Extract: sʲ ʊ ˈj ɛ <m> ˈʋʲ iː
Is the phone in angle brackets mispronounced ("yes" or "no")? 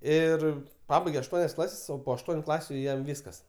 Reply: no